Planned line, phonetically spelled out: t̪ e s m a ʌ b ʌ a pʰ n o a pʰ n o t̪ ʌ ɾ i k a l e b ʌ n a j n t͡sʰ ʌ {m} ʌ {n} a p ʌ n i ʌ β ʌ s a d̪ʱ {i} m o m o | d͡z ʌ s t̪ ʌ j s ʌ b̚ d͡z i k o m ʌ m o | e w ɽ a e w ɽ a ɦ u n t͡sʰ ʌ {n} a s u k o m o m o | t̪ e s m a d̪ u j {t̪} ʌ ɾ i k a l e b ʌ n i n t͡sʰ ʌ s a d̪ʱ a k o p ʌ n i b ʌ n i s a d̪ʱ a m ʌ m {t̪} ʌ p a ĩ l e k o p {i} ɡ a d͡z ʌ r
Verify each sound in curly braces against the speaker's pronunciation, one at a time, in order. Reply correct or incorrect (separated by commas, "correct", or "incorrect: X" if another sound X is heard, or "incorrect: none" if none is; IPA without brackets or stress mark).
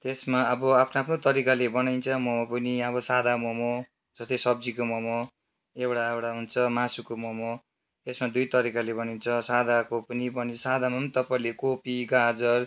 correct, incorrect: m, incorrect: a, incorrect: m, correct, correct, correct